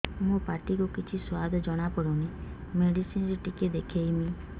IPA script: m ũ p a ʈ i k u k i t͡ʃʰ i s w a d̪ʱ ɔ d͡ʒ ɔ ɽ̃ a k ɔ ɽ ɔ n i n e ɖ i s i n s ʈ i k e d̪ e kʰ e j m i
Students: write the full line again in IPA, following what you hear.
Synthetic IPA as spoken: m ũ p a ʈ i k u k i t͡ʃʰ i s w a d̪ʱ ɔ d͡ʒ ɔ ɽ̃ a p ɔ ɽ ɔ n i m e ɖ i s i n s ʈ i k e d̪ e kʰ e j m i